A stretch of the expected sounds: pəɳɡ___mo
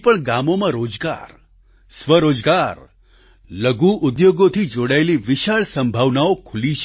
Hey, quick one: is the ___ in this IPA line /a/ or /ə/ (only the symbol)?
a